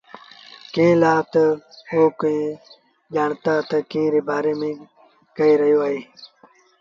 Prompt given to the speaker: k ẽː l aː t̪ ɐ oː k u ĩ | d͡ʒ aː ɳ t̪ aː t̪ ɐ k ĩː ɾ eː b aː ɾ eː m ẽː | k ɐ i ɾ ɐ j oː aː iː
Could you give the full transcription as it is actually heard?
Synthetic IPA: k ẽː l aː t̪ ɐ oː k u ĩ | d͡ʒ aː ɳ t̪ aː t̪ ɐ k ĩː ɾ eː b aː ɾ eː m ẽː | k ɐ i ɾ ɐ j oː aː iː

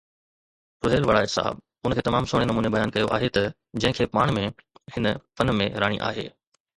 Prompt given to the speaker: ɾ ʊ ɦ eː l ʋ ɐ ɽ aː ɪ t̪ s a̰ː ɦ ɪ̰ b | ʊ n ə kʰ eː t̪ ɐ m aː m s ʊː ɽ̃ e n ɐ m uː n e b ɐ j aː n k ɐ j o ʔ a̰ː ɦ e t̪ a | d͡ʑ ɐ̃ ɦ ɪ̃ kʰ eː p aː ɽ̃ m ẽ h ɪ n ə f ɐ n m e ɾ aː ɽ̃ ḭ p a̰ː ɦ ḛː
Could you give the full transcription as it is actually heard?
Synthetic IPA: ɾ ʊ ɦ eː l ʋ ɐ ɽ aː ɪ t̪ s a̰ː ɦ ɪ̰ b | ʊ n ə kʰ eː t̪ ɐ m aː m s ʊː ɽ̃ e n ɐ m uː n e b ɐ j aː n k ɐ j o ʔ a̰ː ɦ e t̪ ɐ | d͡ʑ ɐ̃ ɦ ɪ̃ kʰ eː p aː ɽ̃ m ẽ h ɪ n ə f ɐ n m ẽ ɾ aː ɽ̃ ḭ ʔ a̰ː ɦ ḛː

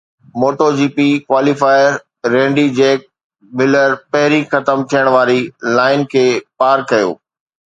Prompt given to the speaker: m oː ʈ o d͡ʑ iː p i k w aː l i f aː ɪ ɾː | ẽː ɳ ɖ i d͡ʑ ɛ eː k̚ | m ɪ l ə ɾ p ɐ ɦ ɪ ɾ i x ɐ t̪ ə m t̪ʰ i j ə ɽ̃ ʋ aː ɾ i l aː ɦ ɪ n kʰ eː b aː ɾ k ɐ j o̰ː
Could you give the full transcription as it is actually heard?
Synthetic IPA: m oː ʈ o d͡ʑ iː p i k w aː l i f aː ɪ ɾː | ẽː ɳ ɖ i d͡ʑ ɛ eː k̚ | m ɪ l ə ɾ p ɐ ɦ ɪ ɾ i x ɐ t̪ ə m t̪ʰ i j ə ɽ̃ ʋ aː ɾ i l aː ɪ n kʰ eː p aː ɾ k ɐ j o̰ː

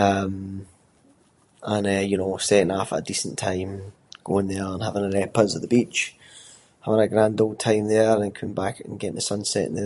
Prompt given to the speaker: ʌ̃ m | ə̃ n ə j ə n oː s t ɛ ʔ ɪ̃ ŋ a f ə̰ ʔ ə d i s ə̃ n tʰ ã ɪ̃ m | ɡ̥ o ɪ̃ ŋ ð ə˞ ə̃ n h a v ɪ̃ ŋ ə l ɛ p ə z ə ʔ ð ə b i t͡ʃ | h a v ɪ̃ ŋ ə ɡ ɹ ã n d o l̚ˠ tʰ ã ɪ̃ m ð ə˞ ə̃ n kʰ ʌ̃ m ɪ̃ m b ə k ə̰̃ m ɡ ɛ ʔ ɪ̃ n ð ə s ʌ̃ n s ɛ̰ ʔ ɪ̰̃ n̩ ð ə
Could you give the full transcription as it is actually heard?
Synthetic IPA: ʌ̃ m | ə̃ n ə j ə n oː s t ɛ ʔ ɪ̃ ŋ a f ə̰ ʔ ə d i s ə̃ n tʰ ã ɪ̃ m | ɡ̥ o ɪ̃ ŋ ð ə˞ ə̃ n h a v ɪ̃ ŋ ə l ɛ p ə z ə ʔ ð ə b i t͡ʃ | h a v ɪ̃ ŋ ə ɡ ɹ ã n d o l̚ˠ tʰ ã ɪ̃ m ð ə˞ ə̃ n kʰ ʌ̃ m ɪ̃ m b a k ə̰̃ n ɡ ɛ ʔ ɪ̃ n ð ə s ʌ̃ n s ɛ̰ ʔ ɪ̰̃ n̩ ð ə

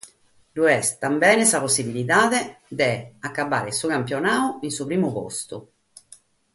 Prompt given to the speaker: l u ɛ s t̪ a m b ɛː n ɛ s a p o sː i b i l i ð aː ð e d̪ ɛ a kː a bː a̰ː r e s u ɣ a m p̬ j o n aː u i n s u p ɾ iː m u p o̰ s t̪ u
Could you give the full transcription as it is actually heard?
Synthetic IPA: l u ɛ s t̪ a m b ɛː n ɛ s a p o sː i b i l i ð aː ð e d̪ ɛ a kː a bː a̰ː ɾ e s u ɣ a m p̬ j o n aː u i n s u p ɾ iː m u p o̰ s t̪ u

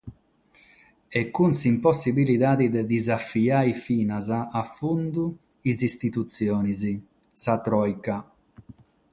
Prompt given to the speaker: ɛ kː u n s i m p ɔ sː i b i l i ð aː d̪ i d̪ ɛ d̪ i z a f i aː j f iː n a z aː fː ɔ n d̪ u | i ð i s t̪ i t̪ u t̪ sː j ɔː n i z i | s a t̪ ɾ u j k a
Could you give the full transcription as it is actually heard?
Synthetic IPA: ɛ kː u n s i m p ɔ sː i b i l i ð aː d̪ i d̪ ɛ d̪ i z a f i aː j f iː n a z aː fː u n d̪ u | i z i s t̪ i t̪ u t̪ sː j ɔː n i z i | s a t̪ ɾ ɔ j k a

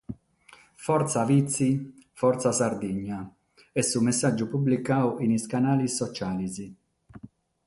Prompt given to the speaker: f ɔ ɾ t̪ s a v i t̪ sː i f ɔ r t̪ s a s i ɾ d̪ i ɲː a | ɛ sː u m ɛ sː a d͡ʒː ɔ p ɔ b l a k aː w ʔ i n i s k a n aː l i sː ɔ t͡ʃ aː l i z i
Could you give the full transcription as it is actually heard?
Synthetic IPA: f ɔ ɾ t̪ s a v i t̪ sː i f ɔ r t̪ s a s a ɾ d̪ i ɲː a | ɛ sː u m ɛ sː a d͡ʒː u p u b l i k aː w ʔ i n i s k a n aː l i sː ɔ t͡ʃ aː l i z i

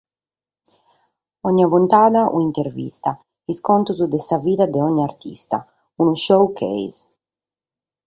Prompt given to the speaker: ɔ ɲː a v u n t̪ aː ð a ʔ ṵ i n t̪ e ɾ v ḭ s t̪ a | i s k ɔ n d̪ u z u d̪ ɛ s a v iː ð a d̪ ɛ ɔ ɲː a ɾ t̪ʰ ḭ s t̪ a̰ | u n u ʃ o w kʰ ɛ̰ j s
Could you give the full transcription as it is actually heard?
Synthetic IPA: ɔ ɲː a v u n t̪ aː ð a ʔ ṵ i n t̪ e ɾ v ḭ s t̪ a | i s k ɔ n t̪ u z u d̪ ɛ s a v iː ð a d̪ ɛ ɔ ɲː a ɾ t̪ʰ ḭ s t̪ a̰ | u n u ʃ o w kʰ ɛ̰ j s

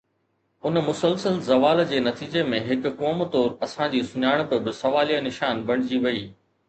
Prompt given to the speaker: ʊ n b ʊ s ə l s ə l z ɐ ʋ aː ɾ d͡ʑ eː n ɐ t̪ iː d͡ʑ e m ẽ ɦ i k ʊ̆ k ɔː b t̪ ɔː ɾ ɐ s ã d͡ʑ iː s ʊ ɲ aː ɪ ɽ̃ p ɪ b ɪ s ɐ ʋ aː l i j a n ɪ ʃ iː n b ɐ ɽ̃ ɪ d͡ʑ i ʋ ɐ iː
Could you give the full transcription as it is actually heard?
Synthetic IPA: ʊ n m ʊ s ə l s ə l z ɐ ʋ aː l d͡ʑ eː n ɐ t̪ iː d͡ʑ e m ẽ ɦ ɪ k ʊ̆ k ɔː m t̪ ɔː ɾ ɐ s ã d͡ʑ iː s ʊ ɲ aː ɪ ɽ̃ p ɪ b ɪ s ɐ ʋ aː l i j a n ɪ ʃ aː n b ɐ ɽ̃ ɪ d͡ʑ i ʋ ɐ iː

